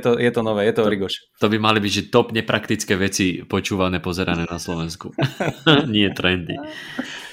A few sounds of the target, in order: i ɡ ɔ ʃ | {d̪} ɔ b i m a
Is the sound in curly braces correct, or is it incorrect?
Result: incorrect